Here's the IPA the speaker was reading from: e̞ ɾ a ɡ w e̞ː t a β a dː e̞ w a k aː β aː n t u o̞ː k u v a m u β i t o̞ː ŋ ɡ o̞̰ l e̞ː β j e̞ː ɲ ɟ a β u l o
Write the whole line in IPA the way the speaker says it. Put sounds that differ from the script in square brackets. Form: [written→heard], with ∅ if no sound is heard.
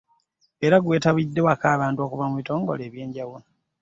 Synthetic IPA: e̞ ɾ a ɡ w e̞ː t a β [a→i] dː e̞ w a k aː β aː n t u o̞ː k u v a m u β i t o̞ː ŋ ɡ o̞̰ l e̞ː β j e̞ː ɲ ɟ a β u l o